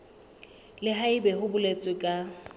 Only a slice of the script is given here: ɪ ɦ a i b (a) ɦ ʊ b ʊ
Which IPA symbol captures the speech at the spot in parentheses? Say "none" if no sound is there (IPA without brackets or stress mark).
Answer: ɛ